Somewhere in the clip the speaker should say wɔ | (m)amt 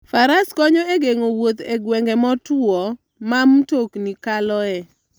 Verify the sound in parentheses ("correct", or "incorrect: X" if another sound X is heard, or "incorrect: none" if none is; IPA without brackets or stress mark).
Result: correct